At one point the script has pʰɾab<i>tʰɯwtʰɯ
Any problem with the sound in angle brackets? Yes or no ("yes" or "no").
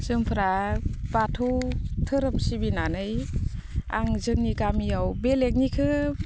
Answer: yes